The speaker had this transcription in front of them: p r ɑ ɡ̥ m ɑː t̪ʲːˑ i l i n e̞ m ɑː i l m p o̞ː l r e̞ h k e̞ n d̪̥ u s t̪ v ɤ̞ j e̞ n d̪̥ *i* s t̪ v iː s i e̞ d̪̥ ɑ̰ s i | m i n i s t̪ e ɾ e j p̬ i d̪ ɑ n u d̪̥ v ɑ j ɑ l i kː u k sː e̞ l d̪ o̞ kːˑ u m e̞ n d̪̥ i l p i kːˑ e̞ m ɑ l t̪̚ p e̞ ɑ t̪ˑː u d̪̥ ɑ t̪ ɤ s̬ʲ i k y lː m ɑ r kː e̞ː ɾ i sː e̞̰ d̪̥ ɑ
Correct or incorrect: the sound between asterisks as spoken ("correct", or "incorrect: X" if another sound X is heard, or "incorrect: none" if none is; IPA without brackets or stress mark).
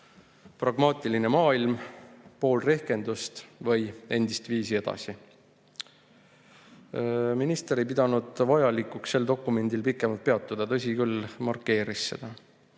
correct